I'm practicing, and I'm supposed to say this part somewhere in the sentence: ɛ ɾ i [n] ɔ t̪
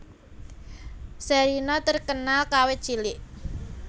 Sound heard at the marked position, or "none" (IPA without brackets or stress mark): n